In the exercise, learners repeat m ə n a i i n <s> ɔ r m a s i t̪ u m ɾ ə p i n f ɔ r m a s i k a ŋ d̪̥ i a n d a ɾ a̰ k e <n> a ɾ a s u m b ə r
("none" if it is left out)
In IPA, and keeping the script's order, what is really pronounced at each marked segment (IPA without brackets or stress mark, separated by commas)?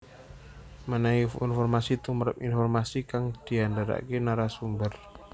f, n